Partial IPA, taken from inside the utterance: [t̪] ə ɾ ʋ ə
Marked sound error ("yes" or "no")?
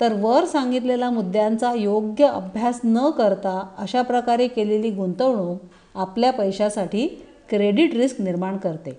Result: no